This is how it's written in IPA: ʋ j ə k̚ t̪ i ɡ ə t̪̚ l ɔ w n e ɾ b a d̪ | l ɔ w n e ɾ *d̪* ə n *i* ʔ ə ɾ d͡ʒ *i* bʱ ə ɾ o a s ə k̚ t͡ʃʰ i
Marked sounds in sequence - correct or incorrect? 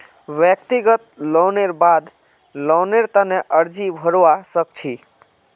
incorrect, incorrect, correct

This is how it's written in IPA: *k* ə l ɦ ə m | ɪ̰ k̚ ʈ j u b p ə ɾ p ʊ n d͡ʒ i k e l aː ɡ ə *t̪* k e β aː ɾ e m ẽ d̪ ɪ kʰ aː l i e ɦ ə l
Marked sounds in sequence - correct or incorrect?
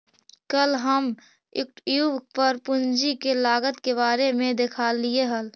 correct, correct

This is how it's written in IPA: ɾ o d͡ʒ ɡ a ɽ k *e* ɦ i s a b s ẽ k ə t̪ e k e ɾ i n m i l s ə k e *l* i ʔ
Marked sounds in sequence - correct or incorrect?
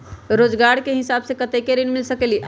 correct, correct

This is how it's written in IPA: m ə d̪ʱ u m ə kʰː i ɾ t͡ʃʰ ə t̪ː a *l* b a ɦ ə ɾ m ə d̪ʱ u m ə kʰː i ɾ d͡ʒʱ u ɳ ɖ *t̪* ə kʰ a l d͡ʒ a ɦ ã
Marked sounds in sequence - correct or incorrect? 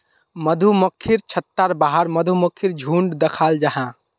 incorrect, incorrect

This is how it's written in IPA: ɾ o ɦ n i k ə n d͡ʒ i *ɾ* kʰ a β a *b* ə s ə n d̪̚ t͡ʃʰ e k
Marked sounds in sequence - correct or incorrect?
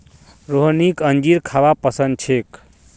correct, incorrect

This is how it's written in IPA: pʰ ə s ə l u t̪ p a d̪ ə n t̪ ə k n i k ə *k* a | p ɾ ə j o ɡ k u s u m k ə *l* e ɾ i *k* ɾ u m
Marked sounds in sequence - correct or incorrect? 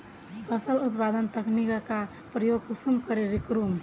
correct, incorrect, correct

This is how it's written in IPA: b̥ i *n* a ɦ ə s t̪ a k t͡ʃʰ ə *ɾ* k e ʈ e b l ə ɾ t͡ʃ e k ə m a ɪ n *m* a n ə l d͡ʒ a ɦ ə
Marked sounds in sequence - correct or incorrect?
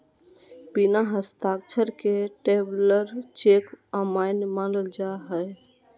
correct, correct, correct

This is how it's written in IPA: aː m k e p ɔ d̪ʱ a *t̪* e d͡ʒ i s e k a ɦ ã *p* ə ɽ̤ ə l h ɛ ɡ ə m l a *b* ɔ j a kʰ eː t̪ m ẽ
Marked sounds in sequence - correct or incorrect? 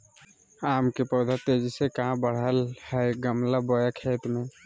correct, incorrect, correct

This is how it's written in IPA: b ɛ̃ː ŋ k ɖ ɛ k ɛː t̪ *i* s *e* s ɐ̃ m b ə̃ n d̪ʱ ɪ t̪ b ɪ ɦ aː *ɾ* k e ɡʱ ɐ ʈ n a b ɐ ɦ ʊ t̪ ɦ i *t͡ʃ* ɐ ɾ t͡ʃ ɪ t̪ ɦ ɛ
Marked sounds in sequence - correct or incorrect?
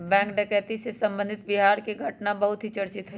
correct, correct, correct, correct

